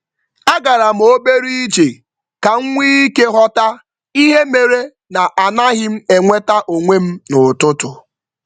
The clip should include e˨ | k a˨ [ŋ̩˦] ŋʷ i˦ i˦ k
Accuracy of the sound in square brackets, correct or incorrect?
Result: correct